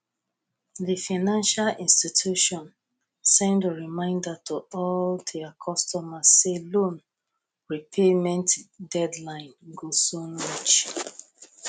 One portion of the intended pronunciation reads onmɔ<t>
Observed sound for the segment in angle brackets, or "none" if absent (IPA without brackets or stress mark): t͡ʃ